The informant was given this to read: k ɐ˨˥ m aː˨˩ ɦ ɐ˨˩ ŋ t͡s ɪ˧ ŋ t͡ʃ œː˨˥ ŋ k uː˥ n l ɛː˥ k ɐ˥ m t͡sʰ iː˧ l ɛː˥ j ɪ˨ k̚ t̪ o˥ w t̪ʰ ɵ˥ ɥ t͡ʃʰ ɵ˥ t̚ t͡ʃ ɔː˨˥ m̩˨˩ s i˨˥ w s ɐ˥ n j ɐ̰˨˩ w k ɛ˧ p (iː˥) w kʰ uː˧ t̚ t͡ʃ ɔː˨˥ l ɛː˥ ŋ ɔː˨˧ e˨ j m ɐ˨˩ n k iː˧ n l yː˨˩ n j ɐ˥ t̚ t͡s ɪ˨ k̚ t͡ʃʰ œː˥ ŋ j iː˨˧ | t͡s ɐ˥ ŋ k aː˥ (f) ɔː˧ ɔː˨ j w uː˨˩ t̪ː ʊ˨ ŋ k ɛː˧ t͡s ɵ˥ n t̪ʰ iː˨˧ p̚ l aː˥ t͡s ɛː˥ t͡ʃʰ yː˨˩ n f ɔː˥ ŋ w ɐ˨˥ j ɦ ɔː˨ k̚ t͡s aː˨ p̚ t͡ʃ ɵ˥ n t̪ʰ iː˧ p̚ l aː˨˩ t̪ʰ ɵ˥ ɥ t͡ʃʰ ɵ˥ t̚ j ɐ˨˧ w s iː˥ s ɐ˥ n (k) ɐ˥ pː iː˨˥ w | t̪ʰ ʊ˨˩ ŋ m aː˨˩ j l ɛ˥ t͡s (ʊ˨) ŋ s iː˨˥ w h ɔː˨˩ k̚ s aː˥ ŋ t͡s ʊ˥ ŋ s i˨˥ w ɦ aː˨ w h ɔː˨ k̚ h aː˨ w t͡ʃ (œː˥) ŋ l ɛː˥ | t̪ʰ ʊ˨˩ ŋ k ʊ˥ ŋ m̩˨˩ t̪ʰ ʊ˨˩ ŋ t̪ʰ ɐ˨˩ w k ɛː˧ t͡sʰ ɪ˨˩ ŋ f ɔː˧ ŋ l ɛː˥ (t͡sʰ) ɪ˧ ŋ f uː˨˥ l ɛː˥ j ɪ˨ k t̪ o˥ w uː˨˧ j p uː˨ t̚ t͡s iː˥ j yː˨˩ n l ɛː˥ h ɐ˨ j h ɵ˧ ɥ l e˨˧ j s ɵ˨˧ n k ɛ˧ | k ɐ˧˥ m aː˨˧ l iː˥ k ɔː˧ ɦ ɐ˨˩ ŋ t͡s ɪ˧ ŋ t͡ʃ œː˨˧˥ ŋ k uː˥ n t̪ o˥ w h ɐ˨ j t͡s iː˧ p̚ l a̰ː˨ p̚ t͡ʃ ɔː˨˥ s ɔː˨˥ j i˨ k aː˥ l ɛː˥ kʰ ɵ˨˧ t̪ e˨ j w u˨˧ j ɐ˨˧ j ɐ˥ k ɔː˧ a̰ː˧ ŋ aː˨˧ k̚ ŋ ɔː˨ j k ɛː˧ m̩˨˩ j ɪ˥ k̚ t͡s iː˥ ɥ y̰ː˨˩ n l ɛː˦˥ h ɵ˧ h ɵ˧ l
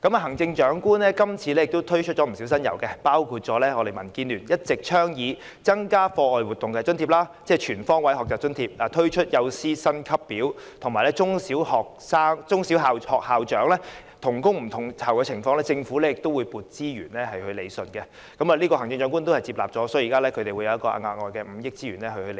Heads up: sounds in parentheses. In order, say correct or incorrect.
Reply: incorrect: aː˥, correct, incorrect: kʰ, incorrect: ʊ˥, incorrect: œː˨˥, incorrect: t͡s

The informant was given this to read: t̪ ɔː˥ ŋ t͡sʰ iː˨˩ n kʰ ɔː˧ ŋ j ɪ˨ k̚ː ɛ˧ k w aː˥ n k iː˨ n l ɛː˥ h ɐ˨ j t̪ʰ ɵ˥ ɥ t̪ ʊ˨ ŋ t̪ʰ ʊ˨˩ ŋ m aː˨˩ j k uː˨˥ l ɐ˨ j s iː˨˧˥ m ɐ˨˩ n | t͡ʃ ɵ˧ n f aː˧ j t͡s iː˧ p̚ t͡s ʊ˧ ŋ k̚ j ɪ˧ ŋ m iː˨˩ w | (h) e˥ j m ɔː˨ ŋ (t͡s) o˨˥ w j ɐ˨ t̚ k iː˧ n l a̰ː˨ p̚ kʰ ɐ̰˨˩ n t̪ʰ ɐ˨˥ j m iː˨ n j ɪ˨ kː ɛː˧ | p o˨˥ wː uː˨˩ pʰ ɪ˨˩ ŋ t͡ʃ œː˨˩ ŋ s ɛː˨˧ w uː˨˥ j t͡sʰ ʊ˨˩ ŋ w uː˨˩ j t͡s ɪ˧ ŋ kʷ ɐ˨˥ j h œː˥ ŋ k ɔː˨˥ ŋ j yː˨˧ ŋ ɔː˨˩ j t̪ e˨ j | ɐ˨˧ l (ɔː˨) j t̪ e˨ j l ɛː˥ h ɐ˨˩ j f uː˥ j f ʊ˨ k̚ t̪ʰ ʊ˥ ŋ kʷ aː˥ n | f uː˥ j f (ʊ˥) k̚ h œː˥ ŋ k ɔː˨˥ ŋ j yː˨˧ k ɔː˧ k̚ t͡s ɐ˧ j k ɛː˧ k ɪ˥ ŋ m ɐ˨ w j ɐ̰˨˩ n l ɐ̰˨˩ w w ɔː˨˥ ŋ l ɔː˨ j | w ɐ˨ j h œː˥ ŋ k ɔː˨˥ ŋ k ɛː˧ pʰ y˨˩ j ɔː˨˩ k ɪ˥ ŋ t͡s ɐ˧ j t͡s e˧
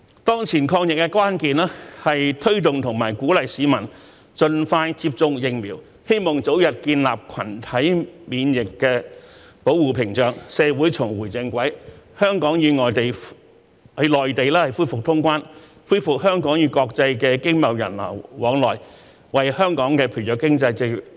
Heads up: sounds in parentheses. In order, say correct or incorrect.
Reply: correct, correct, correct, incorrect: ʊ˨

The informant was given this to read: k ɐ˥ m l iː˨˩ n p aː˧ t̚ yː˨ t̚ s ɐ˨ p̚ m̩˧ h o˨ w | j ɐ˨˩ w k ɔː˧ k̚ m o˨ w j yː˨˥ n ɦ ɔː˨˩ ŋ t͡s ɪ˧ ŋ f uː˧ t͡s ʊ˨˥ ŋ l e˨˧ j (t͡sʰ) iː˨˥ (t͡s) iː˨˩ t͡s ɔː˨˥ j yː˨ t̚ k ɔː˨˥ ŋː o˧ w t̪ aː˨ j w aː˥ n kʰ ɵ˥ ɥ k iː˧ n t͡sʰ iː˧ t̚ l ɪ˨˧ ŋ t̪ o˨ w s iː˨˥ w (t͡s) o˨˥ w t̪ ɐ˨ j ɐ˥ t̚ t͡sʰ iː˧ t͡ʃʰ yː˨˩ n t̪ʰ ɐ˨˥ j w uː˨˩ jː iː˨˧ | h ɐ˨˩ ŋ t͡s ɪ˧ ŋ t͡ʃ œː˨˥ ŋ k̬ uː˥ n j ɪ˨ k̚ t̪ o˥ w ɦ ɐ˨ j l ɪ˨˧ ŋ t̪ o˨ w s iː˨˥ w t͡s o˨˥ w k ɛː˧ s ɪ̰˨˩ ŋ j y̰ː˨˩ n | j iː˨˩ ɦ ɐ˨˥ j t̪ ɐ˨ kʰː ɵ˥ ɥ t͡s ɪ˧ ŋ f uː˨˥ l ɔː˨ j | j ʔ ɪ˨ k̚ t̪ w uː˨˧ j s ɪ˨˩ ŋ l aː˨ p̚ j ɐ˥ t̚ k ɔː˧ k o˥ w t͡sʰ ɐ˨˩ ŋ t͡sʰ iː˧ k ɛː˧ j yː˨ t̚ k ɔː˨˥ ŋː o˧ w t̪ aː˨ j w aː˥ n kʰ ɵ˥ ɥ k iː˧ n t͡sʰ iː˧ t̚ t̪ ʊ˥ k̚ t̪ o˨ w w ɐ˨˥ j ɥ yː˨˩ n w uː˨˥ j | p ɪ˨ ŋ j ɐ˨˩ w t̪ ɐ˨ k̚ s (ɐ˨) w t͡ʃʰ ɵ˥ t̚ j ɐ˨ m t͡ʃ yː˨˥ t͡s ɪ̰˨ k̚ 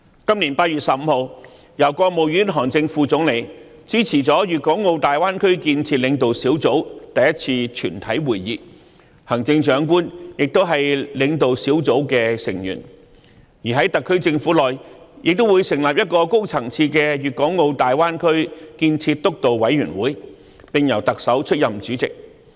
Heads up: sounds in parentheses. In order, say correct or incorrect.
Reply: incorrect: t͡s, incorrect: t͡sʰ, correct, incorrect: ɐ˨˥

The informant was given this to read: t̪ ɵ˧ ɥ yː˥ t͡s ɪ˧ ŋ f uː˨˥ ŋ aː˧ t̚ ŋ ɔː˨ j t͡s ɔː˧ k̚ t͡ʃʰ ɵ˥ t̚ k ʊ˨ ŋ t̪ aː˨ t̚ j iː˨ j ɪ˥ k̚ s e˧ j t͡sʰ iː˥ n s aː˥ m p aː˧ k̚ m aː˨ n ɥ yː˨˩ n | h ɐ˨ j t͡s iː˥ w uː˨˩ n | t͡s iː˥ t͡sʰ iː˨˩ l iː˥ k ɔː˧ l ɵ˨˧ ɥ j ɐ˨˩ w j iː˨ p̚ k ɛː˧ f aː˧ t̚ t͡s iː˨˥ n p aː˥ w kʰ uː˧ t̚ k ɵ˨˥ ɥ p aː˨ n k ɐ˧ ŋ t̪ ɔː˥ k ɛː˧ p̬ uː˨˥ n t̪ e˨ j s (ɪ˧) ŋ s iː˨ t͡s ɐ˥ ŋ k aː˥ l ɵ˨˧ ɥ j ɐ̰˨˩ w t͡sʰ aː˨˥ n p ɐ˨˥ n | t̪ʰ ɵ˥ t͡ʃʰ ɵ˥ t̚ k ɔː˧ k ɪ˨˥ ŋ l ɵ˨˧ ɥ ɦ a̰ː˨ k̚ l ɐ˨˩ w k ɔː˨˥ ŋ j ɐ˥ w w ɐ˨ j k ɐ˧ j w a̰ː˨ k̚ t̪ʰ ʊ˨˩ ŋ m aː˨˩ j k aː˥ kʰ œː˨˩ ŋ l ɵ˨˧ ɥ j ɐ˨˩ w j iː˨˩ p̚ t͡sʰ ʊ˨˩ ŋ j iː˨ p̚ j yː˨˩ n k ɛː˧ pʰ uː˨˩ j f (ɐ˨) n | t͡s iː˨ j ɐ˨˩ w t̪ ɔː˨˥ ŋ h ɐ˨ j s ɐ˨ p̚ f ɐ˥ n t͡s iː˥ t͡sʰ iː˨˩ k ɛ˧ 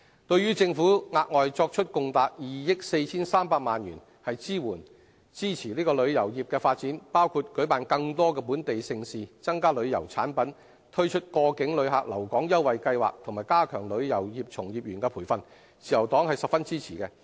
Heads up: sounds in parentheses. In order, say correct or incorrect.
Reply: correct, correct

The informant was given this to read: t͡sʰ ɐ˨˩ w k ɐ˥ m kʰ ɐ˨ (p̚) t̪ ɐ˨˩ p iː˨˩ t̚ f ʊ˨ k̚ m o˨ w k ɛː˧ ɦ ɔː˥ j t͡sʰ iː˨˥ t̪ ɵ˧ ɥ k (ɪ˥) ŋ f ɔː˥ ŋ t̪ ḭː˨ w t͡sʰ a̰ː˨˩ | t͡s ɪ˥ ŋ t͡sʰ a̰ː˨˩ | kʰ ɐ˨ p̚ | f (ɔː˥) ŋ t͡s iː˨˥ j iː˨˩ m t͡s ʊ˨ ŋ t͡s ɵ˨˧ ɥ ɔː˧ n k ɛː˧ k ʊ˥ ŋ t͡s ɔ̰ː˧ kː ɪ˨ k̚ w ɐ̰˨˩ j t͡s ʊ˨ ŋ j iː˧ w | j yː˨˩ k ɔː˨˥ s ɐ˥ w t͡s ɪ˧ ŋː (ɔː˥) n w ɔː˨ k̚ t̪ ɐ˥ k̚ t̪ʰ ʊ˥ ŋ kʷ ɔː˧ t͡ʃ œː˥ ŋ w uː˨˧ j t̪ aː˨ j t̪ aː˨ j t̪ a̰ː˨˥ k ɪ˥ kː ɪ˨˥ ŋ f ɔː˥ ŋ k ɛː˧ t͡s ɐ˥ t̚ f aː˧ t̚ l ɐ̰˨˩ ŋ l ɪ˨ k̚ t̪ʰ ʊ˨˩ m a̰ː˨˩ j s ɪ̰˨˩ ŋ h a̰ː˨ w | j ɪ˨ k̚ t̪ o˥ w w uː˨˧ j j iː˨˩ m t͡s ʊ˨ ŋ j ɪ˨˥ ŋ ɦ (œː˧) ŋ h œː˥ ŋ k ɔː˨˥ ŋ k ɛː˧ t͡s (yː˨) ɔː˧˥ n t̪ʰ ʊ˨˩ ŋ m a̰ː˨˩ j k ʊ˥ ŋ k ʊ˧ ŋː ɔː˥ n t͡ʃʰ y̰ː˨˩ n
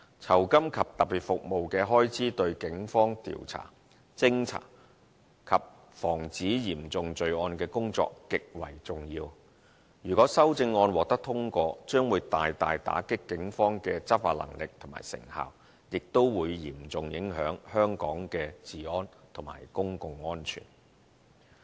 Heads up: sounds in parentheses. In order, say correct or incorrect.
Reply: correct, incorrect: ɪ˨˥, incorrect: ɔː˨˩, incorrect: ɔː˧, incorrect: œː˨˥, incorrect: iː˨

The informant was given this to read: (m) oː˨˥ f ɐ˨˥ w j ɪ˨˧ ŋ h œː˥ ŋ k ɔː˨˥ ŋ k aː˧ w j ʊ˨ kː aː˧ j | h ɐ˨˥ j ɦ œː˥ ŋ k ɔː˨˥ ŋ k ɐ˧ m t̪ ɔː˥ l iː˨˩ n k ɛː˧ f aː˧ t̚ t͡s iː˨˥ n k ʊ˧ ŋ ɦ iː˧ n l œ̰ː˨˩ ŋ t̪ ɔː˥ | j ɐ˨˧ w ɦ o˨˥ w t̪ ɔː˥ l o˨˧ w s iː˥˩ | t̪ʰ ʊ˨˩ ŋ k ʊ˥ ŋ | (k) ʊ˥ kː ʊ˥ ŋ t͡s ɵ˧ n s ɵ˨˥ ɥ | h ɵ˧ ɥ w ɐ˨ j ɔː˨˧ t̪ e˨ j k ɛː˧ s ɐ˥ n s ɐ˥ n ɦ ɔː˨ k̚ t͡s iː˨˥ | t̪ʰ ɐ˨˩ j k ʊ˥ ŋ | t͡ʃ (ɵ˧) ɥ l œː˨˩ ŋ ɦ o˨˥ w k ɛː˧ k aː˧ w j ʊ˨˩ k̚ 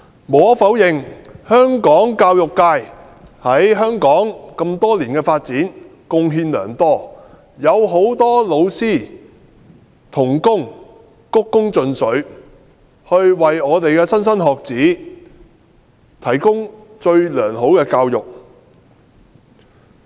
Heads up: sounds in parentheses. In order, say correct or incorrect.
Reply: correct, correct, correct

